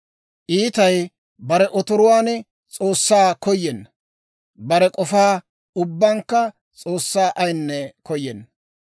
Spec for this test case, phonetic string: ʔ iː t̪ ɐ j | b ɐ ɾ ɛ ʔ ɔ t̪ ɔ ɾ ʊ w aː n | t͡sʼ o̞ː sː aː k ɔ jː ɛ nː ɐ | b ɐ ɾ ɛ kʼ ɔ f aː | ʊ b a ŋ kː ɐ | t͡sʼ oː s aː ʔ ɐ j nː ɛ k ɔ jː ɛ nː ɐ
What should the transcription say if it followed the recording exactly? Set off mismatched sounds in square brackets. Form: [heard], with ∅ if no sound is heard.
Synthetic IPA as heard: ʔ iː t̪ ɐ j | b ɐ ɾ ɛ ʔ ɔ t̪ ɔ ɾ ʊ w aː n | t͡sʼ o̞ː sː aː k ɔ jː ɛ nː ɐ | b ɐ ɾ ɛ kʼ ɔ f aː | ʊ [bː] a ŋ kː ɐ | t͡sʼ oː [sː] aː ʔ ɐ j nː ɛ k ɔ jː ɛ nː ɐ